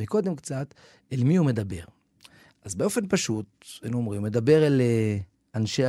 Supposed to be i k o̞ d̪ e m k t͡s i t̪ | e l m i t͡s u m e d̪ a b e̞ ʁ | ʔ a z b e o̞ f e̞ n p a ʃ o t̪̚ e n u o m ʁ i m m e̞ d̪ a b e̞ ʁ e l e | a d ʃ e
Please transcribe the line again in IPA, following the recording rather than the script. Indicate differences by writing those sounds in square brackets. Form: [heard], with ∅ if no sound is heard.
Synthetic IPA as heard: i k o̞ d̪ e m k t͡s [a] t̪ | e l m i [∅] u m e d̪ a b e̞ ʁ | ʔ a z b e o̞ f e̞ n p a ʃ [u] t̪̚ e n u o m ʁ i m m e̞ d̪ a b e̞ ʁ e l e | a [n] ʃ e